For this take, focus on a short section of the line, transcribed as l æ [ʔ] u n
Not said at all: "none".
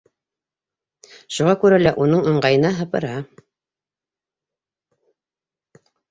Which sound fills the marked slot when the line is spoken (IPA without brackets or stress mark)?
ʔ